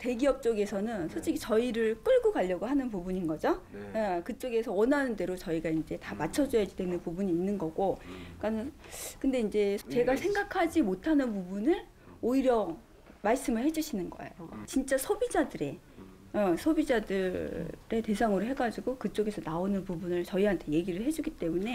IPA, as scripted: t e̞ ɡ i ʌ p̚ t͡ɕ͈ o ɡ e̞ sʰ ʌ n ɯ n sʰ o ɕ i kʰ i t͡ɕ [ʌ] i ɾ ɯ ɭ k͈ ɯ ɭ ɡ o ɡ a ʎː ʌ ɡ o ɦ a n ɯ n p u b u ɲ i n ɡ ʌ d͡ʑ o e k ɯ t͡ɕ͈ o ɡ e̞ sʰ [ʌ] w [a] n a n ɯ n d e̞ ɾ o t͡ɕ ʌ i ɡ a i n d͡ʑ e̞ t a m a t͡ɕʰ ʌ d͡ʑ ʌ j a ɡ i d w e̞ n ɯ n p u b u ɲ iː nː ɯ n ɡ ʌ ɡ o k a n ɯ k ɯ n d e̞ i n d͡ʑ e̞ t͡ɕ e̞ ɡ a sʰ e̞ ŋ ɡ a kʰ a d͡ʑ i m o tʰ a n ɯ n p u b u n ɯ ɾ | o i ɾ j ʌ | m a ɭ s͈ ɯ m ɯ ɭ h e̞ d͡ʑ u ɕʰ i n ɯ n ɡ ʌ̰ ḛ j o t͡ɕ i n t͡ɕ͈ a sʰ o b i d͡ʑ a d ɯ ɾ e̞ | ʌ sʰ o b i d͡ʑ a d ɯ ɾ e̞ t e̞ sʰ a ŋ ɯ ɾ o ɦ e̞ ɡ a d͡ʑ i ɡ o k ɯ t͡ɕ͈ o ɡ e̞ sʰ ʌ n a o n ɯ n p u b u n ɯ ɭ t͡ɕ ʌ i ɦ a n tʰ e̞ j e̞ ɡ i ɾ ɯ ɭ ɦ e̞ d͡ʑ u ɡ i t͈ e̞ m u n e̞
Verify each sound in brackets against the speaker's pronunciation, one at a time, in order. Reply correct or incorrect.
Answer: correct, correct, incorrect: ʌ

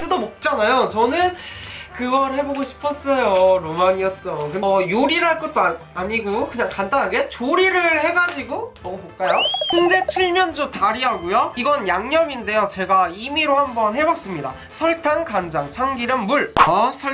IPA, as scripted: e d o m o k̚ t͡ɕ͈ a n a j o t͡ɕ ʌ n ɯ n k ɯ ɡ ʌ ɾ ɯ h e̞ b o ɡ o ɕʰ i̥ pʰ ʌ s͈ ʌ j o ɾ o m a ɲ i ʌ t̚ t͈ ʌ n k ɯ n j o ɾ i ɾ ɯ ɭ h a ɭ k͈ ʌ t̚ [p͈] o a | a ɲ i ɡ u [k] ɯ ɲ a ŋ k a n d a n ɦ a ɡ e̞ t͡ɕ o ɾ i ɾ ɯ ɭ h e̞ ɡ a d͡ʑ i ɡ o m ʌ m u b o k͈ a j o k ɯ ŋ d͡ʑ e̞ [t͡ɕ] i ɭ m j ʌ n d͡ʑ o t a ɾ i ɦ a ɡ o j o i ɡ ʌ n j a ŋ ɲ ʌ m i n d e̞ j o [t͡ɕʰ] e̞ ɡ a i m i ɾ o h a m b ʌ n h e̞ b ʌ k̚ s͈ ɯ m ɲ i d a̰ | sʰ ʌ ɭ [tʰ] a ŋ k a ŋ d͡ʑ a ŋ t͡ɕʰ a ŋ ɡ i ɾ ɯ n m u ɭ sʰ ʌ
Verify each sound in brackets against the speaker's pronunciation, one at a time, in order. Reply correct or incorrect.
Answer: incorrect: t͈, correct, incorrect: t͡ɕʰ, incorrect: t͡ɕ, correct

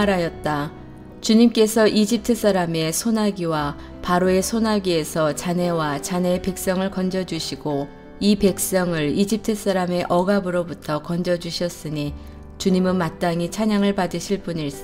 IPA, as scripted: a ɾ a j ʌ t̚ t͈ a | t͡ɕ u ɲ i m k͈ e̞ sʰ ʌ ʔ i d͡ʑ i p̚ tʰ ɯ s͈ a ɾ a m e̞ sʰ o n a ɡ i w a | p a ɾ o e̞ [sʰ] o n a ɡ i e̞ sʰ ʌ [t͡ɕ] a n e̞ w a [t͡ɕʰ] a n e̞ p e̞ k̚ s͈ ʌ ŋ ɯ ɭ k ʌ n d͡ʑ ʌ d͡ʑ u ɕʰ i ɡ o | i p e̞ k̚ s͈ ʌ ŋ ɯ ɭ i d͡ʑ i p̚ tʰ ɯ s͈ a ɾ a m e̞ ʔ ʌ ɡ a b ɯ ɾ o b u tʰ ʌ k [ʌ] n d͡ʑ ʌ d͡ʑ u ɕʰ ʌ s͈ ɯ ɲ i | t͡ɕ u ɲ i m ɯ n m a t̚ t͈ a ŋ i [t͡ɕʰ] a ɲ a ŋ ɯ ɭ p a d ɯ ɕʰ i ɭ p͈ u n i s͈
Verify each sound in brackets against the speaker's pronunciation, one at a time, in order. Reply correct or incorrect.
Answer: correct, correct, incorrect: t͡ɕ, correct, correct

